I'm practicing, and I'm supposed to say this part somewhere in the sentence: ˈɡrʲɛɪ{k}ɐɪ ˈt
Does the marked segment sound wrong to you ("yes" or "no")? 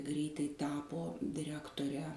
yes